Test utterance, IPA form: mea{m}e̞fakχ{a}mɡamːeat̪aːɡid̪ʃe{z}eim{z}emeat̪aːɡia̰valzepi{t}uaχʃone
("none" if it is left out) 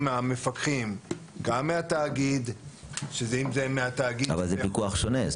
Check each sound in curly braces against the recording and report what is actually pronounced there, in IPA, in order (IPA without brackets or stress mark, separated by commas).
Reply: m, i, z, z, k